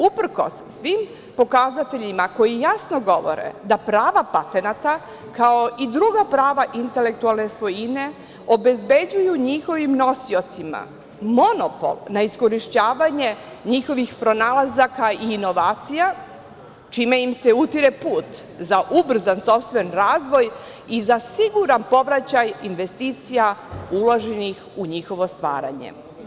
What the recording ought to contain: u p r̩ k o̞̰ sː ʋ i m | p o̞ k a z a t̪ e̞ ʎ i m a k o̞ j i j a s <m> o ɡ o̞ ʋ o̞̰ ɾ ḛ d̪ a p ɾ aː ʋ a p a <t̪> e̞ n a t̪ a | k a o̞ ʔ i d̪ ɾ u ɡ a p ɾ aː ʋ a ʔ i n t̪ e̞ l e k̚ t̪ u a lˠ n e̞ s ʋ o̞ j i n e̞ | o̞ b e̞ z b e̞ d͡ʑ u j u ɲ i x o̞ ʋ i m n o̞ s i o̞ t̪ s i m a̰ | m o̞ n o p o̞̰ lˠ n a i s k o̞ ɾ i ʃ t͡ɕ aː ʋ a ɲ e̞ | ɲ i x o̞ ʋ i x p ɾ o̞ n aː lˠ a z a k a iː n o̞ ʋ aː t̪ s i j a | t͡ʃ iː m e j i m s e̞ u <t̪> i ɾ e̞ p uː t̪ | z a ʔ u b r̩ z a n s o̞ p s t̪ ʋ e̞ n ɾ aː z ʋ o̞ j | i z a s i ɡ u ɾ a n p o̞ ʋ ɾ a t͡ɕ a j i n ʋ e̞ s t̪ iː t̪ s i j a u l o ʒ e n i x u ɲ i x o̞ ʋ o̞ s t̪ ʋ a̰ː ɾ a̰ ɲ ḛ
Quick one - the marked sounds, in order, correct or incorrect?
incorrect: n, correct, correct

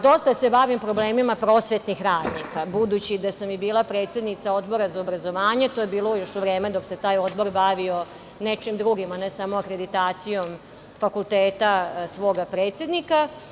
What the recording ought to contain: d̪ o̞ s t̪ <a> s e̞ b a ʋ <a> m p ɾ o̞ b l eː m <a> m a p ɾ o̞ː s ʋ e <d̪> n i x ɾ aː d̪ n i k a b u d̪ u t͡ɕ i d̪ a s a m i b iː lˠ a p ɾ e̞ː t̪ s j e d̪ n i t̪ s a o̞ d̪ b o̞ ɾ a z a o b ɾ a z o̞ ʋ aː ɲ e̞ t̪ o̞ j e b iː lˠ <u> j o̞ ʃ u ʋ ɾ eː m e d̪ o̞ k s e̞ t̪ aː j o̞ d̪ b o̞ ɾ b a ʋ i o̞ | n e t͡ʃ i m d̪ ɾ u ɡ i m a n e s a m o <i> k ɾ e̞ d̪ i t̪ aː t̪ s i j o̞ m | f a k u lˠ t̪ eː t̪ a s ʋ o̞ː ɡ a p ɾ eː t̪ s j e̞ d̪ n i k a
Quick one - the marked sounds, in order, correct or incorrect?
correct, incorrect: i, incorrect: i, incorrect: t̪, incorrect: o, incorrect: a

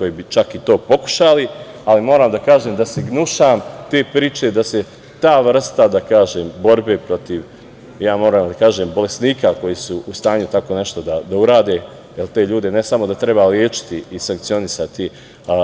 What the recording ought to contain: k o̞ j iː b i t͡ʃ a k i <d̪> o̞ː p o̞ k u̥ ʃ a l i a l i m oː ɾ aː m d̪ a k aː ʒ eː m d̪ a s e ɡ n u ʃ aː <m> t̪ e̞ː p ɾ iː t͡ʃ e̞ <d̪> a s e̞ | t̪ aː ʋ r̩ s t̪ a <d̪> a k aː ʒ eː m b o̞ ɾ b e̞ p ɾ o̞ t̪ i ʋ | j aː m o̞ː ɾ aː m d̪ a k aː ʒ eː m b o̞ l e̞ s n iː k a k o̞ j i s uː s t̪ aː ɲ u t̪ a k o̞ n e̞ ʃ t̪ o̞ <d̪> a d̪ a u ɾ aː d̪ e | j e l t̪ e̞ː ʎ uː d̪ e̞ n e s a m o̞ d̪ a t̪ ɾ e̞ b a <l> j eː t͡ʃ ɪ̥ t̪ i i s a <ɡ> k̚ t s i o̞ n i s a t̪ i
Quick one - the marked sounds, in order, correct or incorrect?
incorrect: t̪, correct, correct, correct, correct, correct, incorrect: ŋ

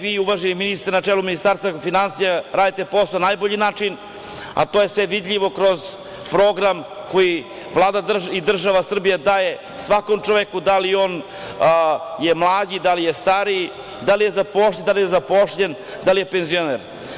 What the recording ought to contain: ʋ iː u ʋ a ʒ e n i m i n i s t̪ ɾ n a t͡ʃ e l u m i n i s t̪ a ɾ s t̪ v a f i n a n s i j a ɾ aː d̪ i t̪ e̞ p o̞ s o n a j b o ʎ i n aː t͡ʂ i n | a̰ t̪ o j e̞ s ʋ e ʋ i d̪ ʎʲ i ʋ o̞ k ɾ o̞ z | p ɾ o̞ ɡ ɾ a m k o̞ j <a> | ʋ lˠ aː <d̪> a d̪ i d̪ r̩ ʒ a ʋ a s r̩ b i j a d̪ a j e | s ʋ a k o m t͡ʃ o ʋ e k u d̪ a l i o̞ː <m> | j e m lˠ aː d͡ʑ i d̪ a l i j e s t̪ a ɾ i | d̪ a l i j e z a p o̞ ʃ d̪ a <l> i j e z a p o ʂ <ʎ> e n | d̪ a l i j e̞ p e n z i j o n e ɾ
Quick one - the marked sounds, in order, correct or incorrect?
incorrect: i, correct, incorrect: n, correct, correct

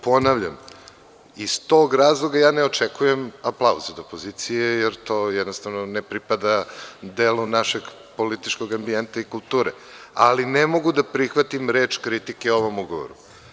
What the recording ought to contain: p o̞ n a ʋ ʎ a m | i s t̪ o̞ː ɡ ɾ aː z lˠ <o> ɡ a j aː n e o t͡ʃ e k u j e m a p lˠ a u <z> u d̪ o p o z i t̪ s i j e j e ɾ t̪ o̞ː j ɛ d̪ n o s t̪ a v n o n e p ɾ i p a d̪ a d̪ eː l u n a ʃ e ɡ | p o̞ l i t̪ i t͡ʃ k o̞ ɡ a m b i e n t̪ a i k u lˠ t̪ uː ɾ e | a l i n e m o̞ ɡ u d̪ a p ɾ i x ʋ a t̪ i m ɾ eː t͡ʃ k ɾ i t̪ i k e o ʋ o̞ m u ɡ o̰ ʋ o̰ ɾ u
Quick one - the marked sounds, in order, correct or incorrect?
correct, correct

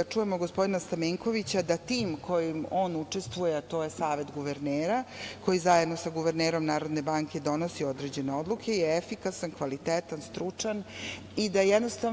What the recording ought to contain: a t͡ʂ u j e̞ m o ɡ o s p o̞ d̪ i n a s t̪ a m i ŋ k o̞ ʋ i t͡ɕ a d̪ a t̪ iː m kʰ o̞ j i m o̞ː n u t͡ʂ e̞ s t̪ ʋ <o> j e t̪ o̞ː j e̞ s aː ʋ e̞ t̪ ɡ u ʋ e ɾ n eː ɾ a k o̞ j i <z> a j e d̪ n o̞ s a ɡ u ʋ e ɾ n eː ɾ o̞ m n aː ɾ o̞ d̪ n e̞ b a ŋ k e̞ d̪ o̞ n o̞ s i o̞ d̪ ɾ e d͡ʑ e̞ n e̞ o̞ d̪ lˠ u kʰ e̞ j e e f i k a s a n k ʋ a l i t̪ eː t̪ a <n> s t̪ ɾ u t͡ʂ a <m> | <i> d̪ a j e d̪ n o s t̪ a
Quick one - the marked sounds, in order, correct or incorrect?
incorrect: u, correct, correct, incorrect: n, correct

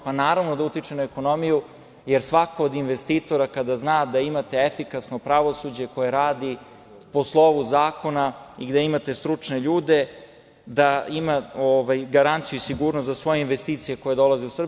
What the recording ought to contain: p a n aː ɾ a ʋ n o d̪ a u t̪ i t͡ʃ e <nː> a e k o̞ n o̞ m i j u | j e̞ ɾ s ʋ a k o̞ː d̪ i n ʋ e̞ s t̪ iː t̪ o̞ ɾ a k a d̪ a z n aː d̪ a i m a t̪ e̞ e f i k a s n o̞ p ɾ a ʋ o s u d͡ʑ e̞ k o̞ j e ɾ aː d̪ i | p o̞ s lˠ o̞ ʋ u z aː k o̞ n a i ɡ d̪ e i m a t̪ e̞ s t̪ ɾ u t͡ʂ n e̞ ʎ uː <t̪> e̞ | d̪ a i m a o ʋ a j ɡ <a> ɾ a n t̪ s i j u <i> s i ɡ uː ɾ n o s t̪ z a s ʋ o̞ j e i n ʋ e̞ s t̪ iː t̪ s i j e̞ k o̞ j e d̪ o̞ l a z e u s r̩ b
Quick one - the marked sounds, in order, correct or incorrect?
incorrect: n, incorrect: d̪, correct, correct

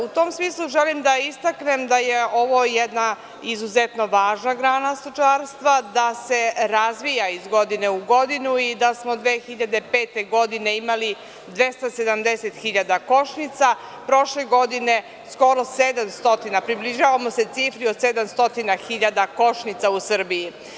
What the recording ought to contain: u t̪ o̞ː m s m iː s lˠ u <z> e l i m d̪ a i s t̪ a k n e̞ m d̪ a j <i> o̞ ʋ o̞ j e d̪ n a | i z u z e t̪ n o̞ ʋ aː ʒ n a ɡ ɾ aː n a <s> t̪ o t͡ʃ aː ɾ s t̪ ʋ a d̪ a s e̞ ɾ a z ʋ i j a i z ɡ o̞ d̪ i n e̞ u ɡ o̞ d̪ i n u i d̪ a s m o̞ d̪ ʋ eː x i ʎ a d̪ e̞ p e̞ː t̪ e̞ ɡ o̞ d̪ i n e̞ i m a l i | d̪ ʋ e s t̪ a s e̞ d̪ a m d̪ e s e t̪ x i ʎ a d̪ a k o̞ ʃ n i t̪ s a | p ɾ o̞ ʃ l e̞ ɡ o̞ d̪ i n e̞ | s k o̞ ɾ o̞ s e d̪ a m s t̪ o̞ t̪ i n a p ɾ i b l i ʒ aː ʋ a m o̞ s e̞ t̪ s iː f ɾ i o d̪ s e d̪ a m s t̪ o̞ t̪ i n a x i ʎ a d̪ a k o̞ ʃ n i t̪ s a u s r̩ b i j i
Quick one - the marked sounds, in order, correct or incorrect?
incorrect: ʒ, incorrect: e, correct

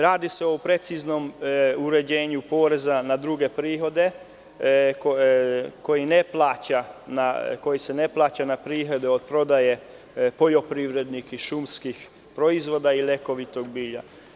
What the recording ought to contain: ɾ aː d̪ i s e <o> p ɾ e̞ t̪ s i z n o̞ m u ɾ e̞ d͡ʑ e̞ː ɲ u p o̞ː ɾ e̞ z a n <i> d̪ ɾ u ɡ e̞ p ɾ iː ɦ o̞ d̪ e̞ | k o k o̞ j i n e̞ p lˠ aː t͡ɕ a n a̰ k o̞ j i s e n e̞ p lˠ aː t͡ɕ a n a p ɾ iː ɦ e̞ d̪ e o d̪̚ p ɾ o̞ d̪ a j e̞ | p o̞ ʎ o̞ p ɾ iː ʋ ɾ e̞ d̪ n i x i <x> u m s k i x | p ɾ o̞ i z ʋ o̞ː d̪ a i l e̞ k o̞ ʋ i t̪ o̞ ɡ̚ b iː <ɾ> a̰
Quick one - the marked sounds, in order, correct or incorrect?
correct, incorrect: a, incorrect: ʃ, incorrect: ʎ

